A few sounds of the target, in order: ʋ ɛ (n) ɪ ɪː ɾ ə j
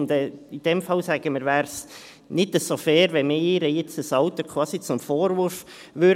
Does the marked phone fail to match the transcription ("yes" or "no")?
yes